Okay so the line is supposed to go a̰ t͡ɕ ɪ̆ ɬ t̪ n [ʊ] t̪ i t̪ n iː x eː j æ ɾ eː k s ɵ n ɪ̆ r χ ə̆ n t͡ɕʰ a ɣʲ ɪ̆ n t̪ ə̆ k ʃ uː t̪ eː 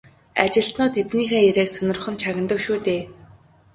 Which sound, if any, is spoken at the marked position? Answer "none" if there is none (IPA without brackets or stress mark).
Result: ʊː